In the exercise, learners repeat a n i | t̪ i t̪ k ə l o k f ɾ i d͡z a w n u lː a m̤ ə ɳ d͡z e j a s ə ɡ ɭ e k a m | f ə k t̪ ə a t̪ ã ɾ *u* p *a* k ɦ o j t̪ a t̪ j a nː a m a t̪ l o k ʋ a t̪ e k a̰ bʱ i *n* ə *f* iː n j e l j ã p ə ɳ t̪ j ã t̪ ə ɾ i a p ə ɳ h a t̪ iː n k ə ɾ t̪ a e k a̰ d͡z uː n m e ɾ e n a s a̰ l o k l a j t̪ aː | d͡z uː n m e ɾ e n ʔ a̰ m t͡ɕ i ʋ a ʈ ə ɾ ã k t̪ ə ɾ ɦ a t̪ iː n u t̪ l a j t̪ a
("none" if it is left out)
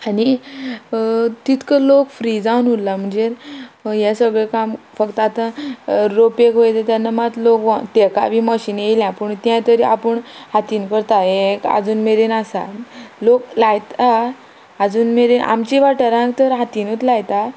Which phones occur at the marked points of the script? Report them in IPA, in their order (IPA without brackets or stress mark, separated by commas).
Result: o, e, m, ɕ